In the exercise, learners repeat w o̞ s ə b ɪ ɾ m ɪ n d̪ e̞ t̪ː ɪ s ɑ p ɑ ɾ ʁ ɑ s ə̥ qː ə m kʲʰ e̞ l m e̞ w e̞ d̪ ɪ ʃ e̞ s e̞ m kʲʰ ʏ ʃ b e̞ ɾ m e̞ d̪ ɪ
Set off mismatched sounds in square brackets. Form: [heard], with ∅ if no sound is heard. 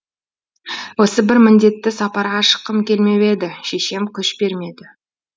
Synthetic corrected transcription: w o̞ s ə b ɪ ɾ m ɪ n d̪ e̞ t̪ː ɪ s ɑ p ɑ ɾ ʁ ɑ [ʃ] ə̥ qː ə m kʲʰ e̞ l m e̞ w e̞ d̪ ɪ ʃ e̞ [ʃ] e̞ m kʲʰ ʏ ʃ b e̞ ɾ m e̞ d̪ ɪ